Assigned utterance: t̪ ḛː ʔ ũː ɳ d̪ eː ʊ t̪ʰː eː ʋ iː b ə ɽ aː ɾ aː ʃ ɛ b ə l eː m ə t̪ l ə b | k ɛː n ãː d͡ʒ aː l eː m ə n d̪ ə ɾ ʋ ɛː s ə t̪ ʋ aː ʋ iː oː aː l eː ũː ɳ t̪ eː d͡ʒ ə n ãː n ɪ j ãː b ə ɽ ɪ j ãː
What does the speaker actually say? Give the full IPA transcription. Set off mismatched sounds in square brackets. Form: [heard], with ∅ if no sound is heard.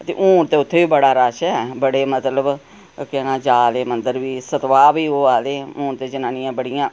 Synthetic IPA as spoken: t̪ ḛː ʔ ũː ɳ [t̪] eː ʊ t̪ʰː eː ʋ iː b ə ɽ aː ɾ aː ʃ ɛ b ə [ɽ] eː m ə t̪ l ə b | k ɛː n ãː d͡ʒ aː l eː m ə n d̪ ə ɾ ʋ [iː] s ə t̪ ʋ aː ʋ iː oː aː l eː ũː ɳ t̪ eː d͡ʒ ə n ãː n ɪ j ãː b ə ɽ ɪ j ãː